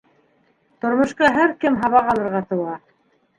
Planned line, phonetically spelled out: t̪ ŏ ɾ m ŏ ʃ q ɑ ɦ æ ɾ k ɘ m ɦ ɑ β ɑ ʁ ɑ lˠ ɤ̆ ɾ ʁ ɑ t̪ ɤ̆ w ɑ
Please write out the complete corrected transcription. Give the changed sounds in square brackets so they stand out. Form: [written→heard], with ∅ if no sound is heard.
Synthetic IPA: t̪ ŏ ɾ m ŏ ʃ q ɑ ɦ æ ɾ k ɘ m ɦ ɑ β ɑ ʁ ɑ lˠ ɤ̆ ɾ ʁ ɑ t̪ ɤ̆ w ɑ